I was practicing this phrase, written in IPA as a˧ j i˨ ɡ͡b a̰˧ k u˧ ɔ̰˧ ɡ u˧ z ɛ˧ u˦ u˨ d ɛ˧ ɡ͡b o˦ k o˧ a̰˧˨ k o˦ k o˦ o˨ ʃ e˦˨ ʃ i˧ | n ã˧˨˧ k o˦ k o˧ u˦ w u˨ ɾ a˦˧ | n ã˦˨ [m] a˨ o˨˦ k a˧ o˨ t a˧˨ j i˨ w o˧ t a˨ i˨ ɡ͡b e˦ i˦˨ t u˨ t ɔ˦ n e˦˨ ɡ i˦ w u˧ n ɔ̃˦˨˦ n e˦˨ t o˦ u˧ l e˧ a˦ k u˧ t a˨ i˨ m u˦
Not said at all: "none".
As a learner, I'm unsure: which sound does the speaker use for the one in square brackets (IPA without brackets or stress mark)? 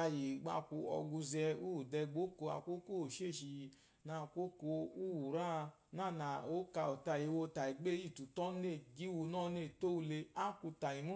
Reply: n